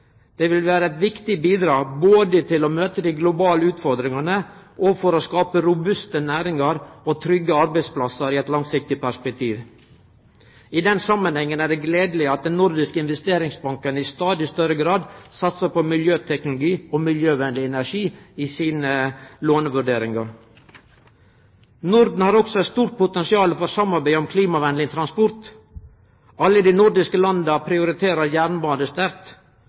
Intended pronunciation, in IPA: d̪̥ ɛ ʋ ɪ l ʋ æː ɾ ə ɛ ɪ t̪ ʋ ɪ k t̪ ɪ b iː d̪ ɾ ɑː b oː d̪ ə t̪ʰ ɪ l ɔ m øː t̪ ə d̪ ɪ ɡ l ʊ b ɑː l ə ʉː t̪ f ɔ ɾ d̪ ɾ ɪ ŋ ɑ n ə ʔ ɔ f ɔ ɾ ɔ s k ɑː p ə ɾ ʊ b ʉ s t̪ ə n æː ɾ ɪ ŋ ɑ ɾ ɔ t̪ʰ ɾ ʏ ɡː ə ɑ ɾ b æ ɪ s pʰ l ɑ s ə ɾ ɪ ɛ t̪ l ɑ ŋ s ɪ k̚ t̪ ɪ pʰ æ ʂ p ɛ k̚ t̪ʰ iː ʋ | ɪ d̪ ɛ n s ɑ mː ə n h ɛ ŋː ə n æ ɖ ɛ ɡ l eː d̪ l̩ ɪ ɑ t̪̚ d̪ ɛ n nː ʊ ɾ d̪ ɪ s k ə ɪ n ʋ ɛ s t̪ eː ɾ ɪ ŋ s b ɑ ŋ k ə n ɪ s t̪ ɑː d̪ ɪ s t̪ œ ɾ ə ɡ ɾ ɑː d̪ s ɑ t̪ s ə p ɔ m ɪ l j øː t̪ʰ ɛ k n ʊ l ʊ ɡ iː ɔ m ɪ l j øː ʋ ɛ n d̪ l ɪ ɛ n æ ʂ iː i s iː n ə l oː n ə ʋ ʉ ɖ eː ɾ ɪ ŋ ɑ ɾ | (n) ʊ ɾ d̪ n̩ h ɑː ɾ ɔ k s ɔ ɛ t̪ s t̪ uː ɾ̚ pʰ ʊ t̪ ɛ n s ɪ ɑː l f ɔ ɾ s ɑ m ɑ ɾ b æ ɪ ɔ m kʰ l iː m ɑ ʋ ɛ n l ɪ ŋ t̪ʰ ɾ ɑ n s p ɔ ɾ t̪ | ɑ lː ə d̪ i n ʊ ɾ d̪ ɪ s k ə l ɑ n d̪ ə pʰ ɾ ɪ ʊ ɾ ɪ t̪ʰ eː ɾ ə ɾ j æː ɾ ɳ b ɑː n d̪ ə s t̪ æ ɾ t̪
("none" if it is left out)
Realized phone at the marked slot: n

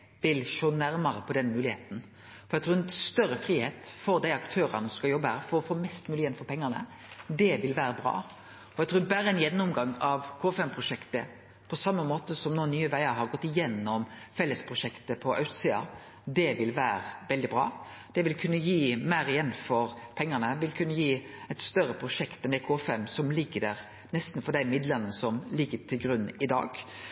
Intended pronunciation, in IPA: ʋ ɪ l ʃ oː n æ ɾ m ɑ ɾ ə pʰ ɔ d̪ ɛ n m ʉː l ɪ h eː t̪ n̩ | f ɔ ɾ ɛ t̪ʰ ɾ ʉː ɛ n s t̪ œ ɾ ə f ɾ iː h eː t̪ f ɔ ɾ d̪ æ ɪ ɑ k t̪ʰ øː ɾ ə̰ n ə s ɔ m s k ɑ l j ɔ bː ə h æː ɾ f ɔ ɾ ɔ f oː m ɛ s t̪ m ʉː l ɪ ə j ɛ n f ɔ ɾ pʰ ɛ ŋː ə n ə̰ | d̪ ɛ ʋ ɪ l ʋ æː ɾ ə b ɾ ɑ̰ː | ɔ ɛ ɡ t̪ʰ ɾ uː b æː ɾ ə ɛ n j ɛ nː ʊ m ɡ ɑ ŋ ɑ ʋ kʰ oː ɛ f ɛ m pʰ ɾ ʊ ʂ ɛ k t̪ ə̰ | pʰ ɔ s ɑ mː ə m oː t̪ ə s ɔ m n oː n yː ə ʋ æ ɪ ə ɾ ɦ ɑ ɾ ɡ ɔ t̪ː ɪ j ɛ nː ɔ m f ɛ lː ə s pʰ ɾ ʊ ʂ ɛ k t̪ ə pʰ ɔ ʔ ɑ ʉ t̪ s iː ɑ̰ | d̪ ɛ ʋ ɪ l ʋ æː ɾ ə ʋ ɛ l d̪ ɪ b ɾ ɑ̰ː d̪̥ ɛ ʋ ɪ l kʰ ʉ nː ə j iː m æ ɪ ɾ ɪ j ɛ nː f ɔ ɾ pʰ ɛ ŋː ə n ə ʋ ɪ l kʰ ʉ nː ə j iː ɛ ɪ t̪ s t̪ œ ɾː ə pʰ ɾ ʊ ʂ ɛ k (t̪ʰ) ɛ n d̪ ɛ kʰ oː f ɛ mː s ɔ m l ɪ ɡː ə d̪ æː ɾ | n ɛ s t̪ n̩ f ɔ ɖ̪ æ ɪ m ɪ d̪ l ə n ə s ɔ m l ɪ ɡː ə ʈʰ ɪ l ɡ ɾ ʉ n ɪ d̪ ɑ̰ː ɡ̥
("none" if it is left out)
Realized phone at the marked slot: t̪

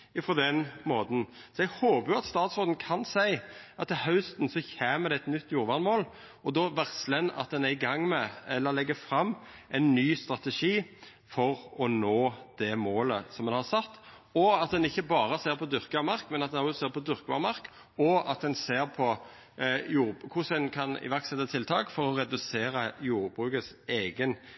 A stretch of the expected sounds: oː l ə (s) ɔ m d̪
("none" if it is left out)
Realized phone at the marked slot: s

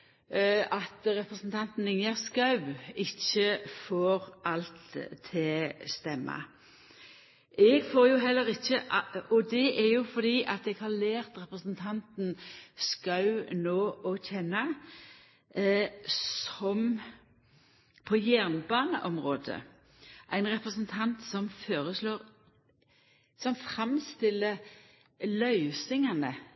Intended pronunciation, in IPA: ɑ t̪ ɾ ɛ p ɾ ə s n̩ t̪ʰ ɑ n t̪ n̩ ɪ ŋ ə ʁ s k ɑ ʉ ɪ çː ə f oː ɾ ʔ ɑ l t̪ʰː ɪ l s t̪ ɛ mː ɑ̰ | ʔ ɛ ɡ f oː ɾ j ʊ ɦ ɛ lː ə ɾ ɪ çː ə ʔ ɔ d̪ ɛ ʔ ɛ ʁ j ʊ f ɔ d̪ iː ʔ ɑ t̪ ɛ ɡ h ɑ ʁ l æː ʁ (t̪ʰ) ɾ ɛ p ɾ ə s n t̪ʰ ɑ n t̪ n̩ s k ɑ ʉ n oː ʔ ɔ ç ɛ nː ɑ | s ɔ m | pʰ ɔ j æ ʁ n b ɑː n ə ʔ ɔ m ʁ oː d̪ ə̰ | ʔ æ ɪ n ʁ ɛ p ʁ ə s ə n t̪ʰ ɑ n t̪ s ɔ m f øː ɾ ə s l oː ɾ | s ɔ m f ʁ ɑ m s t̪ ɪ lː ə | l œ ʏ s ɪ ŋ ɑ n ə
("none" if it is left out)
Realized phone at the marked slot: t̪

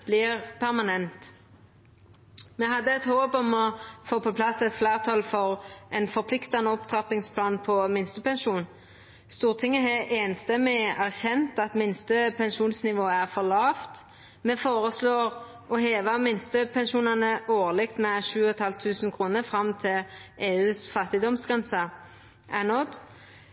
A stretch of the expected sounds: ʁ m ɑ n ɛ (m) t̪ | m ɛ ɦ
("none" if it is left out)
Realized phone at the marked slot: n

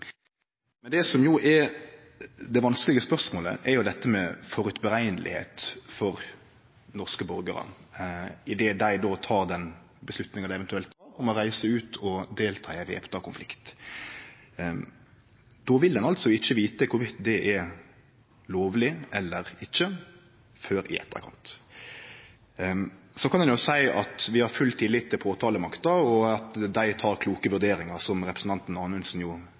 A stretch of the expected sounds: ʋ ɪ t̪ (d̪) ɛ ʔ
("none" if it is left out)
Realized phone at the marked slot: d̪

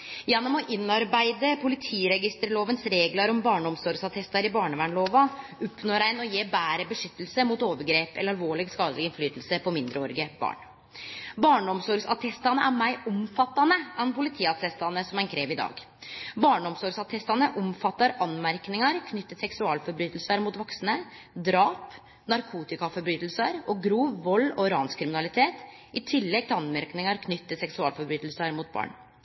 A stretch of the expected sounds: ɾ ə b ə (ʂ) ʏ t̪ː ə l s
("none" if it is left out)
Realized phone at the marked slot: ʂ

